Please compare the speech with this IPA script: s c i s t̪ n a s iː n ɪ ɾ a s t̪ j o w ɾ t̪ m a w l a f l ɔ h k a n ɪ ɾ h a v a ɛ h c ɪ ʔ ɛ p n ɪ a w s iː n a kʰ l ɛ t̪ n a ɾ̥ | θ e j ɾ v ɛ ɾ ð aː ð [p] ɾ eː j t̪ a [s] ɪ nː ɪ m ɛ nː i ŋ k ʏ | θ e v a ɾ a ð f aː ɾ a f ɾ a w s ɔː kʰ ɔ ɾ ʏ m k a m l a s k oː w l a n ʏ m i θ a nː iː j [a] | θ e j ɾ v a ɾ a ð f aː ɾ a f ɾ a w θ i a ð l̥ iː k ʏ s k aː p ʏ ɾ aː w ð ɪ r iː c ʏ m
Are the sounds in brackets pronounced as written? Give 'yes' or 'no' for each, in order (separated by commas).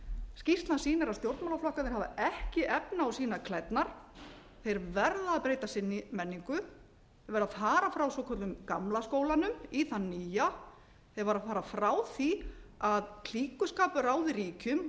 yes, yes, yes